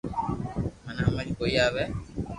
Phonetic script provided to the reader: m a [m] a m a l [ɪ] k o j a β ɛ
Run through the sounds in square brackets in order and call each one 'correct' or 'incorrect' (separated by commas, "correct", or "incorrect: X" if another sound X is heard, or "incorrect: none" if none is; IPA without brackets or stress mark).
incorrect: n, incorrect: i